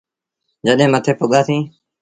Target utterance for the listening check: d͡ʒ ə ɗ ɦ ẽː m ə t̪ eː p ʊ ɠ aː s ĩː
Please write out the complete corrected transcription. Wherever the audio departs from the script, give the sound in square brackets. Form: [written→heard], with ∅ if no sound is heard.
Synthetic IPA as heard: d͡ʒ ə ɗ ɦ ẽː m ə [t̪→t̪ʰ] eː p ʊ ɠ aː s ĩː